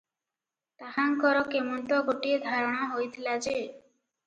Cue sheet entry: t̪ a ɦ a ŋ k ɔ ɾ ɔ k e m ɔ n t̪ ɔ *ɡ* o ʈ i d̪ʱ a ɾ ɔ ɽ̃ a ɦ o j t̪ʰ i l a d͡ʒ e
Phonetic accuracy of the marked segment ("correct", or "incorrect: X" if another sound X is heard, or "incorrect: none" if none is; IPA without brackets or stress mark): correct